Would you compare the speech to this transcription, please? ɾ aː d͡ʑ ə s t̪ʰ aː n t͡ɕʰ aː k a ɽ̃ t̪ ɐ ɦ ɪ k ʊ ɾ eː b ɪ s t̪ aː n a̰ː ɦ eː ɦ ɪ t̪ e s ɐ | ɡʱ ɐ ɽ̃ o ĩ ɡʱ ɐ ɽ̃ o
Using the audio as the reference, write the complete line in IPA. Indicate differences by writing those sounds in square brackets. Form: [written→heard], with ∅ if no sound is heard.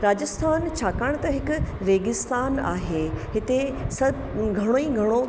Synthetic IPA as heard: ɾ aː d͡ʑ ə s t̪ʰ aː n t͡ɕʰ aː k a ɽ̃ t̪ ɐ ɦ ɪ k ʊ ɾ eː [b→ɡ] ɪ s t̪ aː n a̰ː ɦ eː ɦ ɪ t̪ e s ɐ | ɡʱ ɐ ɽ̃ o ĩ ɡʱ ɐ ɽ̃ o